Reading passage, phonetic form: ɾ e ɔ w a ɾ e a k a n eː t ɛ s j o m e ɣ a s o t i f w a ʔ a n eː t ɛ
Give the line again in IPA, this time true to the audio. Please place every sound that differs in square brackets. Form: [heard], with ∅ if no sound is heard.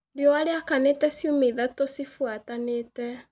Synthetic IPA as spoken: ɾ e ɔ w a ɾ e a k a n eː t ɛ s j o m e [ð] a [t] o [s] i f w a [t] a n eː t ɛ